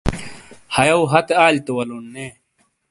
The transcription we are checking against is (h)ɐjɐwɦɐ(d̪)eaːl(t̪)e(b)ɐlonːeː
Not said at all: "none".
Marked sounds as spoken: h, t̪, t̪, w

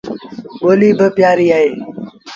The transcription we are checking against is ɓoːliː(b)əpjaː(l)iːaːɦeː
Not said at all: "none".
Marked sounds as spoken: b, ɾ

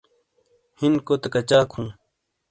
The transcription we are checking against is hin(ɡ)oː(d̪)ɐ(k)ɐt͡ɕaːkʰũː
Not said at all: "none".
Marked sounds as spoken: k, t̪, k

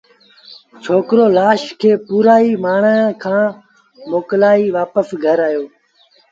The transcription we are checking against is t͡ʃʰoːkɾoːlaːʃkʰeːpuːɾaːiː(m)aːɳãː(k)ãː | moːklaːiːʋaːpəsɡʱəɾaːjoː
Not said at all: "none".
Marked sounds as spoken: m, kʰ

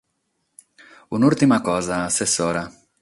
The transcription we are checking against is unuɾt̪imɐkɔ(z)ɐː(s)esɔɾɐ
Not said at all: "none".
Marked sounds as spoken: z, s

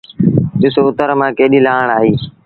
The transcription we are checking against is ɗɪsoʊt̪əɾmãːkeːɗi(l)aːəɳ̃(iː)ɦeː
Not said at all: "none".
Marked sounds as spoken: l, aː

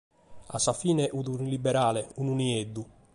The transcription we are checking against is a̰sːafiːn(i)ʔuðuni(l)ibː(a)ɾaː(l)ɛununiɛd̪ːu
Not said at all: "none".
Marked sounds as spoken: ɛ, l, ɛ, l

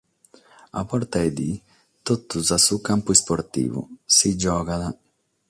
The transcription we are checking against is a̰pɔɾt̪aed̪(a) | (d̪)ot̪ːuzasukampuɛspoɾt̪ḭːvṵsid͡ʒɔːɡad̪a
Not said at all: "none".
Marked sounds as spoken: i, t̪

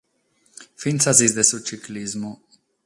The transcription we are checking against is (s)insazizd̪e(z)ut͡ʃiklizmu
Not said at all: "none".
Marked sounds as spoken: f, s

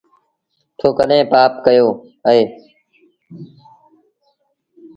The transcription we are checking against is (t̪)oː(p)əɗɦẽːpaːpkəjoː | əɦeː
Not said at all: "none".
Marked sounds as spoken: t̪ʰ, k

